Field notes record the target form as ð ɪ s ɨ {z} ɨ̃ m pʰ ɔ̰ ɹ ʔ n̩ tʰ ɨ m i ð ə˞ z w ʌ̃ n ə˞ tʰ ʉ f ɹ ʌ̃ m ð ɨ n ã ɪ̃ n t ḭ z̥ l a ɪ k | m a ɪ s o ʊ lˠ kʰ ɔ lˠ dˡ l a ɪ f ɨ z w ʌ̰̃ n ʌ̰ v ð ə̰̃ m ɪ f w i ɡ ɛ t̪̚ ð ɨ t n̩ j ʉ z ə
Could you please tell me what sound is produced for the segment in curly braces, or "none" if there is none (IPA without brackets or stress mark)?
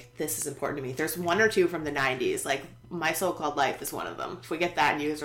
z